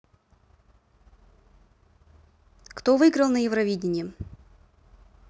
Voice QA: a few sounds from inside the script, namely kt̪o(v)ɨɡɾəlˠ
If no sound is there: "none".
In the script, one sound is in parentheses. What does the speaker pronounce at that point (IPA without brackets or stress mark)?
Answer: v